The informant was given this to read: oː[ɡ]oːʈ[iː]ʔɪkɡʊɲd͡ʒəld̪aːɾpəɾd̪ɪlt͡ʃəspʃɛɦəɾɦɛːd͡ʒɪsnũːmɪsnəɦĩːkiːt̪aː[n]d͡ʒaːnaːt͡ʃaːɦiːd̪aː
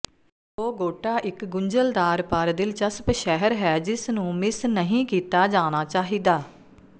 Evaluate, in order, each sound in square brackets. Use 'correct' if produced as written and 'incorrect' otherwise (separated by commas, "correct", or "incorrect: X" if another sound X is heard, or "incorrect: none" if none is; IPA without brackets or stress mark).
correct, incorrect: aː, incorrect: none